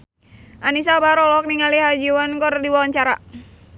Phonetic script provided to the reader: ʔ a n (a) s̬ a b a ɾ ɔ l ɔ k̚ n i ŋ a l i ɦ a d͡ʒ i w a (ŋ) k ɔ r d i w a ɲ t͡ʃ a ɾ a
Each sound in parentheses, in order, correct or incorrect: incorrect: i, incorrect: n

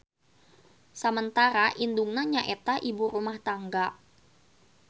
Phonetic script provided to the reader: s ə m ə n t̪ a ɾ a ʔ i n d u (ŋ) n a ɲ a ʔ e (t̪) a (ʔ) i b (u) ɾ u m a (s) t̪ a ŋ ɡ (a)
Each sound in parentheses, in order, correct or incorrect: correct, correct, correct, correct, incorrect: h, correct

